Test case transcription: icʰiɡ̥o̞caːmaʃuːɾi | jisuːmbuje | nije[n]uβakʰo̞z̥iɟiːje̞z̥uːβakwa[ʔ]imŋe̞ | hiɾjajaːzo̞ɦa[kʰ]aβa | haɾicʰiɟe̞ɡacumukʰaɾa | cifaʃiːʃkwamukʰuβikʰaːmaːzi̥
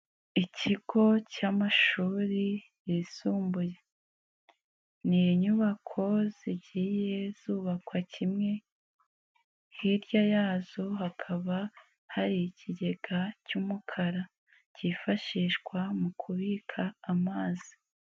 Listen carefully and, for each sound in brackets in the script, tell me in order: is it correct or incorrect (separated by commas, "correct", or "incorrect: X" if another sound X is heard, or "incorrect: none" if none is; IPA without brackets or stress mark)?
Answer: incorrect: ɲ, incorrect: c, correct